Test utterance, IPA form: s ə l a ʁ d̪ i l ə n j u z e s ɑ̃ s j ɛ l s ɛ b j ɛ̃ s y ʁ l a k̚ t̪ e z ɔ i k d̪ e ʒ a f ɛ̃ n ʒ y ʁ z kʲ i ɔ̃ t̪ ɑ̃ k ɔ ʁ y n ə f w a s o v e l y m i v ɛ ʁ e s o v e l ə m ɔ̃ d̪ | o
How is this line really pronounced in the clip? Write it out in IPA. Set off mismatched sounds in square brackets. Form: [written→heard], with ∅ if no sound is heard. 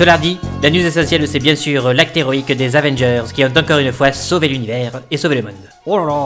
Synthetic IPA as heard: s ə l a ʁ d̪ i l [ə→a] n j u z e s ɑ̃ s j ɛ l s ɛ b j ɛ̃ s y ʁ l a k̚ t̪ e [z→ʁ] ɔ i k d̪ e [ʒ→z] a [f→v] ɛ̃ n ʒ [y→œ] ʁ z kʲ i ɔ̃ t̪ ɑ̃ k ɔ ʁ y n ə f w a s o v e l y [m→n] i v ɛ ʁ e s o v e l ə m ɔ̃ d̪ | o